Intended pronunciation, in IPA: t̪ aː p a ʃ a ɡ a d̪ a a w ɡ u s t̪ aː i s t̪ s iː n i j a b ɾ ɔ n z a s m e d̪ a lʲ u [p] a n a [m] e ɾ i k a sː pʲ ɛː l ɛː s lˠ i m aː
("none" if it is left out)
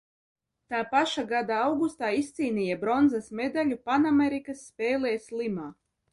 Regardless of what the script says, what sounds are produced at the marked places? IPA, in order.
p, m

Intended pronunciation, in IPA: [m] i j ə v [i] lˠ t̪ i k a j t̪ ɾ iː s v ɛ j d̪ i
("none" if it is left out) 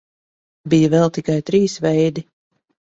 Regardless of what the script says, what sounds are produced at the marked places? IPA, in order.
b, ɛ

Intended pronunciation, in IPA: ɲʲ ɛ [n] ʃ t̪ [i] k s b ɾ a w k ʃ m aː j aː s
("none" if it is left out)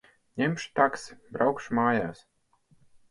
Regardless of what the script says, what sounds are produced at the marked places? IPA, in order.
m, a

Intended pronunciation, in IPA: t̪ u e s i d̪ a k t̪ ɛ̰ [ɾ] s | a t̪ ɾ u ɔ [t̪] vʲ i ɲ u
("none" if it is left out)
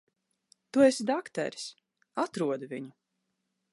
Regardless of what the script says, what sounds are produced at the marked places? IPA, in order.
ɾ, d̪

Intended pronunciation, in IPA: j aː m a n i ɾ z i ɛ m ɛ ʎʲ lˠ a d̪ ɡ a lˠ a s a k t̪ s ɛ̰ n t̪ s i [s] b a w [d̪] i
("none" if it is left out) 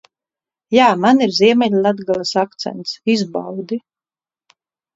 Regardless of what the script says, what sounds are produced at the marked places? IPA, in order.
z, d̪

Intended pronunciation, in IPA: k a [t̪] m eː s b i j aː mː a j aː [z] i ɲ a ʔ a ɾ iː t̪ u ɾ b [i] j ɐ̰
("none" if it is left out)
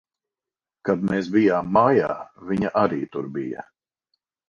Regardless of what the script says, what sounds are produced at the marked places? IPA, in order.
d̪, v, i

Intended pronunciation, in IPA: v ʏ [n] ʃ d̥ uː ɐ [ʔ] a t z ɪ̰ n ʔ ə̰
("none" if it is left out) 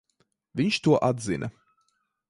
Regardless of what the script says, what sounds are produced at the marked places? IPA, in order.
n, ʔ

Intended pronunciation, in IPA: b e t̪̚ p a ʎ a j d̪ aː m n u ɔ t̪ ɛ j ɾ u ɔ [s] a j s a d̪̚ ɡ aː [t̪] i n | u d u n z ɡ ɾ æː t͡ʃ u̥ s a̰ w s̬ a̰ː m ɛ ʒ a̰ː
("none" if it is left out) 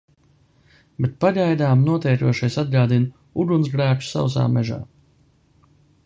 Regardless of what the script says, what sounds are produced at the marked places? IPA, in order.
ʃ, d̪

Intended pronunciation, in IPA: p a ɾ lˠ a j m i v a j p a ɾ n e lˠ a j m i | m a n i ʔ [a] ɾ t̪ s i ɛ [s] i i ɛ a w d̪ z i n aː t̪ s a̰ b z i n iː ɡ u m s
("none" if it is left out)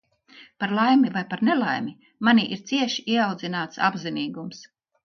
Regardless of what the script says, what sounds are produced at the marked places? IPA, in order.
i, ʃ

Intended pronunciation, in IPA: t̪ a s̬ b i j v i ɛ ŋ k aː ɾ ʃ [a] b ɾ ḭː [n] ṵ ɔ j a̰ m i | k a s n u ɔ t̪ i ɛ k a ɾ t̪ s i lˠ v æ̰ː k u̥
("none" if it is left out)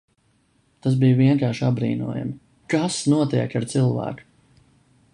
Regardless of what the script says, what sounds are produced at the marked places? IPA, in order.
a, n

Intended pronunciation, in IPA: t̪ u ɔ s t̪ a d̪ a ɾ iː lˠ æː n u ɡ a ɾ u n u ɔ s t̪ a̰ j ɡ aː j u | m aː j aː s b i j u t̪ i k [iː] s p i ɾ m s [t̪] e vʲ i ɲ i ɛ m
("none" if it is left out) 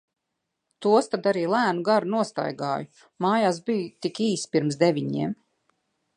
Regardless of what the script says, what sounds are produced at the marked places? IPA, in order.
iː, d̪

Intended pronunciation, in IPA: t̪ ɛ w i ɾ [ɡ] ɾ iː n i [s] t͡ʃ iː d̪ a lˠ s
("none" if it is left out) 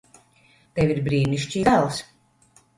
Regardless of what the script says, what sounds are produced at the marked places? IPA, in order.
b, ʃ

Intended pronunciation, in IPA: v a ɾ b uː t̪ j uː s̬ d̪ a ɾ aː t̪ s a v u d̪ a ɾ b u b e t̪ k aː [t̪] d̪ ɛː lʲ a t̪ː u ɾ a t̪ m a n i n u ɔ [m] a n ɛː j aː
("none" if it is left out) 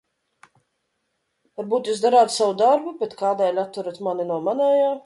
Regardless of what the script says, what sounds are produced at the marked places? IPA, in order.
none, m

